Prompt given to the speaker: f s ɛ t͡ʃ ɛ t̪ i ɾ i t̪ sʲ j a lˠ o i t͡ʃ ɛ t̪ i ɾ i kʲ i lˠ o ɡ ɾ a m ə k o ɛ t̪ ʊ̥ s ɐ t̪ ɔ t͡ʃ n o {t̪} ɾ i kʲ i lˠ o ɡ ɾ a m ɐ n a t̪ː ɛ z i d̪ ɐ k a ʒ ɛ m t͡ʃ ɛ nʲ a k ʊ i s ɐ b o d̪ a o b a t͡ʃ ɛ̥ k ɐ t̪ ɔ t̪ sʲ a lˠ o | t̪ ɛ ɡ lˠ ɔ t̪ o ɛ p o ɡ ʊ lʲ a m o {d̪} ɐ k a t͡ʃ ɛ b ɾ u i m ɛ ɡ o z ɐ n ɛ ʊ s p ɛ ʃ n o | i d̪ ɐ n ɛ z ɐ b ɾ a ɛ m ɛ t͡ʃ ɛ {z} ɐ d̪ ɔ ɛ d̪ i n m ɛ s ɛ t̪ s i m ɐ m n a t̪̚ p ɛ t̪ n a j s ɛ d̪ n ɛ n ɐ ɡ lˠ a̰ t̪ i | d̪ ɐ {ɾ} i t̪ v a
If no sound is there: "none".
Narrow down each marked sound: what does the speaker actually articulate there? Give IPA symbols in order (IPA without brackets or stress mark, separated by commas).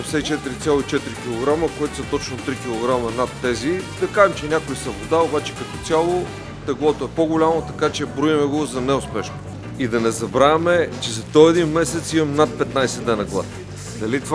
t̪, t̪, z, l